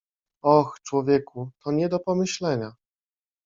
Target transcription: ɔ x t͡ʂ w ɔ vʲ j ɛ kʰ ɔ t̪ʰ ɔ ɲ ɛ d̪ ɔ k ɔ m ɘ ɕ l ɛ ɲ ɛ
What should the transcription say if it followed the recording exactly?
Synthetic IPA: ɔ x t͡ʂ w ɔ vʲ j ɛ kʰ u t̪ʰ ɔ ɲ ɛ d̪ ɔ p ɔ m ɘ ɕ l ɛ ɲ a